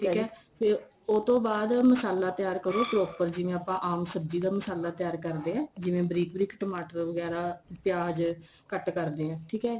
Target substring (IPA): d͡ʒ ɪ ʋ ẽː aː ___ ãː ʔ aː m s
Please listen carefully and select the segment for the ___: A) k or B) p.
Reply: B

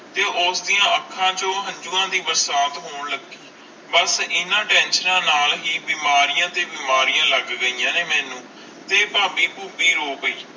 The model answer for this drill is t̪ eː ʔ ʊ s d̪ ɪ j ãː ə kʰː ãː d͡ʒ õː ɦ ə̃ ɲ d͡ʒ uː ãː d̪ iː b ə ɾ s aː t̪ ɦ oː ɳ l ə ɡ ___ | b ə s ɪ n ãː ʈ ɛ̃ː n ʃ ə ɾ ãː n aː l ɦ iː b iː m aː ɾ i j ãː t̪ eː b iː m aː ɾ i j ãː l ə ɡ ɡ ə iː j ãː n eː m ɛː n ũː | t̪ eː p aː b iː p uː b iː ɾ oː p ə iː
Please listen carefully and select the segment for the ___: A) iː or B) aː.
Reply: A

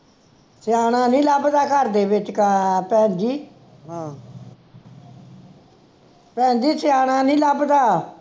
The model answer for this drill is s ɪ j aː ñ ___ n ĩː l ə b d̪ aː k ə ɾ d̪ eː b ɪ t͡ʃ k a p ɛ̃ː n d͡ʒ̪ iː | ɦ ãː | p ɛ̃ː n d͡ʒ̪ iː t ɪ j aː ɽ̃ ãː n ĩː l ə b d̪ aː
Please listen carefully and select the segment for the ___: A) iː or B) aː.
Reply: B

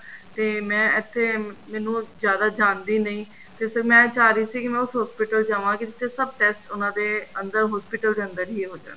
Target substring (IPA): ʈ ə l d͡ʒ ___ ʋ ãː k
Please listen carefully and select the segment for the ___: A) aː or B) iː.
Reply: A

